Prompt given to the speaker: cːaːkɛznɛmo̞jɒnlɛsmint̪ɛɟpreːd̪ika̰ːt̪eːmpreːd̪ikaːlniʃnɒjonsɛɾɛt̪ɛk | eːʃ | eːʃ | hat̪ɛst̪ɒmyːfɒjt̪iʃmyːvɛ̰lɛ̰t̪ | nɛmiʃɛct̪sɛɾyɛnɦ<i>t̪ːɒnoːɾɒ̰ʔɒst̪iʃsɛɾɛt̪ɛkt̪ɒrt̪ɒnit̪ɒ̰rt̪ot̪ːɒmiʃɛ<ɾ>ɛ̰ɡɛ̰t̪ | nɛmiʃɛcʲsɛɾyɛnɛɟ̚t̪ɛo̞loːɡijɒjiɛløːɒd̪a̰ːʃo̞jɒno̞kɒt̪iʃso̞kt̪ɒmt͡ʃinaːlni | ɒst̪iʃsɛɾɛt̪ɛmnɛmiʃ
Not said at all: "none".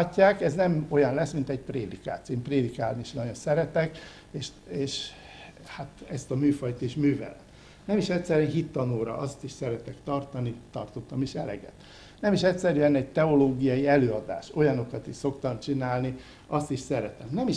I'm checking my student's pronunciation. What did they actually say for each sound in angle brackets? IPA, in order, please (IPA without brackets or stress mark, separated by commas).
i, l